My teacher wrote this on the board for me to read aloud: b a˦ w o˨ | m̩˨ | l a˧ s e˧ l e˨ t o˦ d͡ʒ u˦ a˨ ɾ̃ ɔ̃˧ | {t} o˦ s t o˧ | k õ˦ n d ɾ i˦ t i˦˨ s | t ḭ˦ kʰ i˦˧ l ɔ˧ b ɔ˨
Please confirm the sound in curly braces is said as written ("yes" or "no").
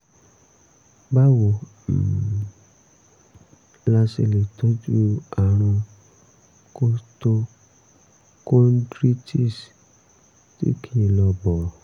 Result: no